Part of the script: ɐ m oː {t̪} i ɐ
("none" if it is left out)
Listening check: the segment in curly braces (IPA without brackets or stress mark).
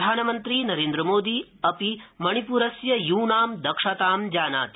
d̪